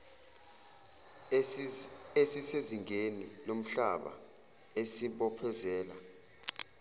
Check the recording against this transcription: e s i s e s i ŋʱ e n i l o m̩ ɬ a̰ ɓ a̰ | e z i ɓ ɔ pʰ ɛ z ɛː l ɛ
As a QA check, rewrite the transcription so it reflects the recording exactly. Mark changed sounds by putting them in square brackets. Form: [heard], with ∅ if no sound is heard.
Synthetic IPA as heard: e s i s e [z] i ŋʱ e n i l o m̩ ɬ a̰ ɓ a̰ | e [s] i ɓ ɔ pʰ ɛ z ɛː l [a]